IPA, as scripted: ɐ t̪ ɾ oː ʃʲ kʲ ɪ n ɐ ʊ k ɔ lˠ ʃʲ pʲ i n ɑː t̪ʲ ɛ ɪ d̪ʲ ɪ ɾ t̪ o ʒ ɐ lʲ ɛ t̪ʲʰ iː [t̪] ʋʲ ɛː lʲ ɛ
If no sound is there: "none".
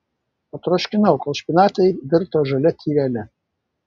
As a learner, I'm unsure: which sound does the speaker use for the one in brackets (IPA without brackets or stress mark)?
none